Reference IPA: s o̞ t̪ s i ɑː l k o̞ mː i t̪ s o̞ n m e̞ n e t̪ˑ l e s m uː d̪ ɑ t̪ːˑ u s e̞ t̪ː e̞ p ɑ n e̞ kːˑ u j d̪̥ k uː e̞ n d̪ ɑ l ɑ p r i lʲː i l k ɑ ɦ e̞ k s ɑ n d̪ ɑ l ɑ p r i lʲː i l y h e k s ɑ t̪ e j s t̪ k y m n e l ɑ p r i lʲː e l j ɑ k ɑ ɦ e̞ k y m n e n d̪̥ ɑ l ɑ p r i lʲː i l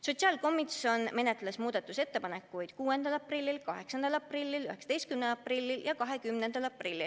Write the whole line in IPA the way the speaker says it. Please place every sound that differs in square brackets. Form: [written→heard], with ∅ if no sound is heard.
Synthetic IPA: s o̞ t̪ s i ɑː l k o̞ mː i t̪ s o̞ n m e̞ n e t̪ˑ l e s m uː d̪ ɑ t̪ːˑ u s e̞ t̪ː e̞ p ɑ n e̞ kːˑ u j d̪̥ k uː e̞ n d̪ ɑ l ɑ p r i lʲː i l k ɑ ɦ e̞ k s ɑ n d̪ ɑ l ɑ p r i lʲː i l y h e k s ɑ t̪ e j s t̪ k y m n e l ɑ p r i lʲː [e→i] l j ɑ k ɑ ɦ e̞ k y m n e n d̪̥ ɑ l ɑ p r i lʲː i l

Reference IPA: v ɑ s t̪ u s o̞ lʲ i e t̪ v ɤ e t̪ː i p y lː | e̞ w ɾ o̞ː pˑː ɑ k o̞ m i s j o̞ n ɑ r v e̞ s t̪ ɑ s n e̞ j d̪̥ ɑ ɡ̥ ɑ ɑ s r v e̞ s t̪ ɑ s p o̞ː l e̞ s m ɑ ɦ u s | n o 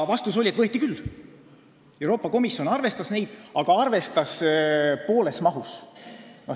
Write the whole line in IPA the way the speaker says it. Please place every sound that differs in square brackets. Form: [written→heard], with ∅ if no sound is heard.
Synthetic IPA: v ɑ s t̪ u s o̞ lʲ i e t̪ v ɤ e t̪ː i [p→k] y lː | e̞ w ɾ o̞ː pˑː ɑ k o̞ m i s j o̞ n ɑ r v e̞ s t̪ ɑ s n e̞ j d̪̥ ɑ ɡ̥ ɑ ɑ [s→∅] r v e̞ s t̪ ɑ s p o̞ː l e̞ s m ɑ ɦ u s | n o

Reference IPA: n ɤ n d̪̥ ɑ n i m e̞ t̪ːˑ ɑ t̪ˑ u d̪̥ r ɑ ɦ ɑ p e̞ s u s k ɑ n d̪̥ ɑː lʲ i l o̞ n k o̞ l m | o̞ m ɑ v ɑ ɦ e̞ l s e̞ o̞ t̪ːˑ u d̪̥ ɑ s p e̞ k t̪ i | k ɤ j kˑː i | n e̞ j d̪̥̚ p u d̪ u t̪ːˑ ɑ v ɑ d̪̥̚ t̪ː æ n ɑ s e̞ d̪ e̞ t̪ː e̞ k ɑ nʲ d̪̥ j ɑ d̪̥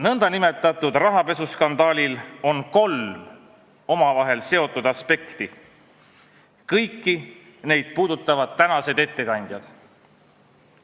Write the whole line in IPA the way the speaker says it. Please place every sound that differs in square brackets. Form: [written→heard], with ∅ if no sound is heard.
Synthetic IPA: n ɤ n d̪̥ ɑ n i m e̞ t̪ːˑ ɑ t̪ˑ u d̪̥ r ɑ ɦ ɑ p e̞ s u s k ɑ n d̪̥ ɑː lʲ i l o̞ n k o̞ l m | o̞ m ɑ v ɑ ɦ e̞ l s e̞ o̞ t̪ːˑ u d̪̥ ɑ s p e̞ k t̪ i | k ɤ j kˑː i | n e̞ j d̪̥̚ p [u→uː] d̪ u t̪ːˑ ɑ v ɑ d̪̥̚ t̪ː æ n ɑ s e̞ d̪ e̞ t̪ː e̞ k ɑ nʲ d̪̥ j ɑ d̪̥

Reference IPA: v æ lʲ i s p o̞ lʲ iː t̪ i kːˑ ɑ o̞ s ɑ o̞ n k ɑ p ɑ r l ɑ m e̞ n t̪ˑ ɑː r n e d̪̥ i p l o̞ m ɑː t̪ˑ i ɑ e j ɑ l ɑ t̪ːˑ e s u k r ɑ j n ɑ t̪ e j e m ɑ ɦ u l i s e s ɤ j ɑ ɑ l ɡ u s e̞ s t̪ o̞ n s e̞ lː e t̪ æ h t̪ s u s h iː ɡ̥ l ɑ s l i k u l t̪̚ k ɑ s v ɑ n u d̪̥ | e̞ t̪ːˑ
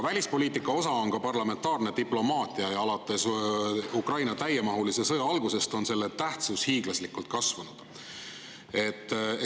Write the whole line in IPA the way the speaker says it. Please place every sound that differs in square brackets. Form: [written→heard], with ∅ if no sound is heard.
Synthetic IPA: v æ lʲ i s p o̞ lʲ iː t̪ i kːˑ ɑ o̞ s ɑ o̞ n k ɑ p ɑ r l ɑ m e̞ n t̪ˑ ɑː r n e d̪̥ i p l o̞ m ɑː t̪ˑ i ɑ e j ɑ l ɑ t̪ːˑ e s u k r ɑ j n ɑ t̪ [e→æ] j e m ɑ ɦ u l i s e s ɤ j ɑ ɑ l ɡ u s e̞ s t̪ o̞ n s e̞ lː e t̪ æ h t̪ s u s h iː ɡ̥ l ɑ s l i k u l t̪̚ k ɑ s v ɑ n u d̪̥ | e̞ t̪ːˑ

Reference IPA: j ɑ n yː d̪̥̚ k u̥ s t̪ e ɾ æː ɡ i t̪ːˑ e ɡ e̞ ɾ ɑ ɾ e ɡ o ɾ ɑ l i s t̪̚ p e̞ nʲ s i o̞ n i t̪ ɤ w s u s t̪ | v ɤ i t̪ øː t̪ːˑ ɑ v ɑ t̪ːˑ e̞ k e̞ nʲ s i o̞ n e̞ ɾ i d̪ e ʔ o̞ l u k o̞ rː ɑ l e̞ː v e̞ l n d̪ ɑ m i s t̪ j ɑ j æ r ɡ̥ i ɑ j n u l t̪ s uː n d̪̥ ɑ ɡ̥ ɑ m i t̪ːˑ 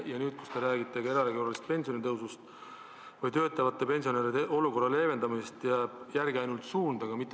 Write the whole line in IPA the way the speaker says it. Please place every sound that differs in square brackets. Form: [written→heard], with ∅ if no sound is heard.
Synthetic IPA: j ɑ n yː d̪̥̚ k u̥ s t̪ e ɾ æː ɡ i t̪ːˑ e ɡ e̞ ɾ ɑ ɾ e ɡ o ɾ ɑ l i s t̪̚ p e̞ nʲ s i o̞ n i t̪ ɤ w s u s t̪ | v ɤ [i→j] t̪ øː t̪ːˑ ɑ v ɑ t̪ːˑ e̞ [k→p] e̞ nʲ s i o̞ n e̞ ɾ i d̪ e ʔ o̞ l u k o̞ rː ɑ l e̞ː v e̞ [l→∅] n d̪ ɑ m i s t̪ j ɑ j æ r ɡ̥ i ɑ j n u l t̪ s uː n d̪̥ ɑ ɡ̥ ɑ m i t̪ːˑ

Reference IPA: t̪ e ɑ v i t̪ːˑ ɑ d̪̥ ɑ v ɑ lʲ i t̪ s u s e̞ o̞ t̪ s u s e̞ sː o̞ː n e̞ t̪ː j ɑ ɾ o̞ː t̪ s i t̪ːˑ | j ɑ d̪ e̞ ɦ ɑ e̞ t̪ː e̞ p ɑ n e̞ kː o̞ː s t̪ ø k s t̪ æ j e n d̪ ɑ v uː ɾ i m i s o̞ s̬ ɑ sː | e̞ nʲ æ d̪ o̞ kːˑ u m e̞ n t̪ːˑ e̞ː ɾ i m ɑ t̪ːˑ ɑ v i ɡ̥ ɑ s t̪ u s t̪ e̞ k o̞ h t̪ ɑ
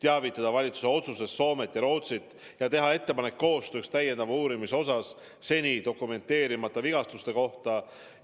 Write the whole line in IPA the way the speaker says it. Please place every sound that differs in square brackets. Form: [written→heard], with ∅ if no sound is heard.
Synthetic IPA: t̪ e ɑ v i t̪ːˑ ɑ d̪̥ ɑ v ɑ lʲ i t̪ s u s e̞ o̞ t̪ s u s e̞ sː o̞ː [n→m] e̞ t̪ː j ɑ ɾ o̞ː t̪ s i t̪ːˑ | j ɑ [d̪→t̪] e̞ ɦ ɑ e̞ t̪ː e̞ p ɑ n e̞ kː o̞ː s t̪ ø k s t̪ æ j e n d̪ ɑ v uː ɾ i m i s o̞ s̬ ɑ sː | e̞ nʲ [æ→i] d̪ o̞ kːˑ u m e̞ n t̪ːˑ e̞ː ɾ i m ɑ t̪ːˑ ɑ v i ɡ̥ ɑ s t̪ u s t̪ e̞ k o̞ h t̪ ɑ

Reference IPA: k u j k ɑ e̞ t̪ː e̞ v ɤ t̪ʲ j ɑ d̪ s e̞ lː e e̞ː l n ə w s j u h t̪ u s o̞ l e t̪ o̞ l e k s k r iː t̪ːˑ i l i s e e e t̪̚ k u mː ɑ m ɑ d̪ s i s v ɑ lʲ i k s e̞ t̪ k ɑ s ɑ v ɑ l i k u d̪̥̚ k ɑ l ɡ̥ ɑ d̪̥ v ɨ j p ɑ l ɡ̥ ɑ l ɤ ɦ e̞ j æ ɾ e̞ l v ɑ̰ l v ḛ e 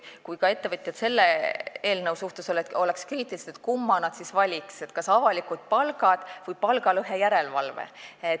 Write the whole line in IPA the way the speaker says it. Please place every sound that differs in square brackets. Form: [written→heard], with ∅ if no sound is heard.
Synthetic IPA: k u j k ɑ e̞ t̪ː e̞ v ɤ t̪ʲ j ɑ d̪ s e̞ lː e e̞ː l n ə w s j u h t̪ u s o̞ l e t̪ o̞ l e k s k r iː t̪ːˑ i l i s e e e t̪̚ k u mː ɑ [m→n] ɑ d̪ s i s v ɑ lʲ i k s e̞ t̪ k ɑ s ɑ v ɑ l i k u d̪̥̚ [k→p] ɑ l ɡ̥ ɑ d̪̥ v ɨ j p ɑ l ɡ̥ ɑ l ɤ ɦ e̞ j æ ɾ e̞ l v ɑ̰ l v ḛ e

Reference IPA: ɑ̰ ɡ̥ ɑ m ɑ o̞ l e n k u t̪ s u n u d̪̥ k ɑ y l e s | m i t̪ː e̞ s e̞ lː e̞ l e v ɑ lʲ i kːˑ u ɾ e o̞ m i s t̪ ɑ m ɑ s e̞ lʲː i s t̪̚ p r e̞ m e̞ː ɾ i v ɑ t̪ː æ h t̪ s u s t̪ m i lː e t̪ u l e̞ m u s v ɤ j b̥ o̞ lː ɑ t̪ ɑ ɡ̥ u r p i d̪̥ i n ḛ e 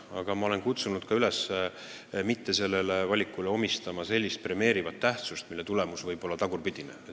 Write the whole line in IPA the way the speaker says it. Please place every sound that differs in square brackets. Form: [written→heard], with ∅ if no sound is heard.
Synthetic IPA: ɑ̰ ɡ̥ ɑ m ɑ o̞ l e n k u t̪ s u n u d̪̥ k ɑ y l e s | m i t̪ː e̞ s e̞ lː e̞ l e v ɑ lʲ i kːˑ u [ɾ→l] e o̞ m i s t̪ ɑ m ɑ s e̞ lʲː i s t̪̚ p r e̞ m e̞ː ɾ i v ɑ t̪ː æ h t̪ s u s t̪ m i lː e t̪ u l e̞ m u s v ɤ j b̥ o̞ lː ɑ t̪ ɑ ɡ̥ u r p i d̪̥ i n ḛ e

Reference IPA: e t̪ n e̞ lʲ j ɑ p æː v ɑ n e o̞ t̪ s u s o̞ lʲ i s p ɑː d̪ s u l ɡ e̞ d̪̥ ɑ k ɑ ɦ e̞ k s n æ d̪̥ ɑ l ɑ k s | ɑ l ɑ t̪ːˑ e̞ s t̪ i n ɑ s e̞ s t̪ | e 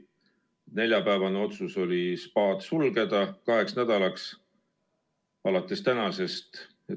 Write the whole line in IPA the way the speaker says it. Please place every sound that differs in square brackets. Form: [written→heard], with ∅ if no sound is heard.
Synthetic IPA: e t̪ n e̞ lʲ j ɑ p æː v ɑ n e o̞ t̪ s u s o̞ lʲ i s p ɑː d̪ s u l ɡ e̞ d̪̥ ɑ k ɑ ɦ e̞ k s n æ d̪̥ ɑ l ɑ k s | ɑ l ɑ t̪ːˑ e̞ s t̪ [i→æ] n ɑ s e̞ s t̪ | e

